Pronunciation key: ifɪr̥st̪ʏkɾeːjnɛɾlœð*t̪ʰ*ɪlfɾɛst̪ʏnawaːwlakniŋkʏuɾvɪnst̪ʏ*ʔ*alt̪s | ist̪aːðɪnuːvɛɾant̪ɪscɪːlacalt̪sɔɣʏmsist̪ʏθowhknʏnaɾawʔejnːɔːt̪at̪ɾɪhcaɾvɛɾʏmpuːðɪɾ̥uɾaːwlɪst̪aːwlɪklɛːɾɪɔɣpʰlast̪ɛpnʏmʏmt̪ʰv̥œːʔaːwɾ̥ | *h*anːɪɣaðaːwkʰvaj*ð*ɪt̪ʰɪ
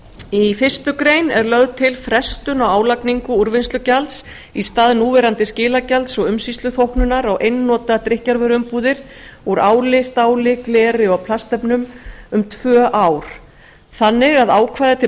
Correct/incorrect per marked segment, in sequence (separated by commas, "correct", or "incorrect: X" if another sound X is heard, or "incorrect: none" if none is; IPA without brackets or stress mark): correct, incorrect: c, incorrect: θ, correct